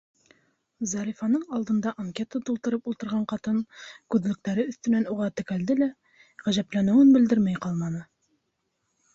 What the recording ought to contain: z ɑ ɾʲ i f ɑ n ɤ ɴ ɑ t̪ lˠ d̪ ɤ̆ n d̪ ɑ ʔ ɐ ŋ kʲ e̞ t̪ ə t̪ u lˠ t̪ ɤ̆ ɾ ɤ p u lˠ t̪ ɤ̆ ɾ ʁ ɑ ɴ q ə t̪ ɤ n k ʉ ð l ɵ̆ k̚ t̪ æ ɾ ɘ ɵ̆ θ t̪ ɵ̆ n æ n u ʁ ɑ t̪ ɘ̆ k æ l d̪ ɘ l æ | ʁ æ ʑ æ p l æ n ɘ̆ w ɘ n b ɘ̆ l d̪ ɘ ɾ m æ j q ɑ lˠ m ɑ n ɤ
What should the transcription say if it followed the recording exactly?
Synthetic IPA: z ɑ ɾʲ i f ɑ n ɤ ɴ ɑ lˠ d̪ ɤ̆ n d̪ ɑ ʔ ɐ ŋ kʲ e̞ t̪ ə t̪ u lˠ t̪ ɤ̆ ɾ ɤ p u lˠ t̪ ɤ̆ ɾ ʁ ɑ ɴ q ɑ t̪ ɤ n k ʉ ð l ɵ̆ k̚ t̪ æ ɾ ɘ ɵ̆ θ t̪ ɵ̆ n æ n u ʁ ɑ t̪ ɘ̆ k æ l d̪ ɘ l æ | ʁ æ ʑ æ p l æ n ɘ̆ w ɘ n b ɘ̆ l d̪ ɘ ɾ m æ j q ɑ lˠ m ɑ n ɤ